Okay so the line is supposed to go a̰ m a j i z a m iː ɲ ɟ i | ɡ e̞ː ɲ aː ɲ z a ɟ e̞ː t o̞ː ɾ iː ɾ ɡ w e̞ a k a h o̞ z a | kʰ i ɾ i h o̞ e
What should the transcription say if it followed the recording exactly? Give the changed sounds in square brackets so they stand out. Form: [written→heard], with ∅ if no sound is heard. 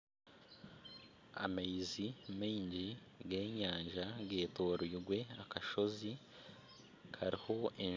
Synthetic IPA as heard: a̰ m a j i z [a→i] m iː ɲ ɟ i | ɡ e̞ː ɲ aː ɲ [z→ʒ] a [ɟ→ɡ] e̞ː t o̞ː ɾ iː ɾ ɡ w e̞ a k a [h→ʃ] o̞ z [a→i] | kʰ [i→a] ɾ i h o̞ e